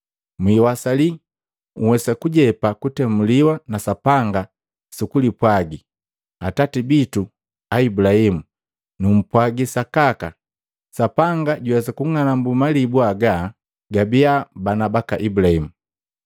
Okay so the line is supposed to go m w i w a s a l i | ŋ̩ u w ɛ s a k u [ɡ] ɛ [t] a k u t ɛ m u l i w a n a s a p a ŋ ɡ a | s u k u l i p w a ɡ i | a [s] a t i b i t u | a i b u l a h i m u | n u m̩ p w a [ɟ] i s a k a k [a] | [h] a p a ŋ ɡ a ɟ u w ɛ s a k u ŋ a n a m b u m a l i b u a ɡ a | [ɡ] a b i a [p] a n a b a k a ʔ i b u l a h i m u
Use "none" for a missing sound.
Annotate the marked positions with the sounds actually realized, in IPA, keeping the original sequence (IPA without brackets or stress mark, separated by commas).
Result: ɟ, p, t, ɡ, a, s, ɡ, b